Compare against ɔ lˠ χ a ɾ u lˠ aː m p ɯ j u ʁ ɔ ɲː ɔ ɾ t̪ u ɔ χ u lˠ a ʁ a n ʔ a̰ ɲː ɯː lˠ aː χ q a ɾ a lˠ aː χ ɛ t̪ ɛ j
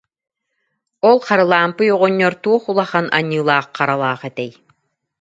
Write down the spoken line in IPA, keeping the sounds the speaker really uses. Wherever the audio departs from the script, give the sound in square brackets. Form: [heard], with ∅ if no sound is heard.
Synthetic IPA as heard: ɔ lˠ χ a ɾ [ɯ] lˠ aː m p ɯ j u ʁ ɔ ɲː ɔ ɾ t̪ u ɔ χ u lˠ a [χ] a n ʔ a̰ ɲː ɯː lˠ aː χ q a ɾ a lˠ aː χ ɛ t̪ ɛ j